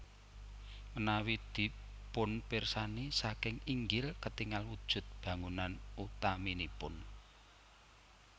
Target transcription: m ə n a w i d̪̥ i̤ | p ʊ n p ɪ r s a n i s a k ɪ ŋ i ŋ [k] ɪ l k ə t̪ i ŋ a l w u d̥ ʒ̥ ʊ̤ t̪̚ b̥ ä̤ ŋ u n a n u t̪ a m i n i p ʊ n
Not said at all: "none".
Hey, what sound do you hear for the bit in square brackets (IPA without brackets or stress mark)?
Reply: ɡ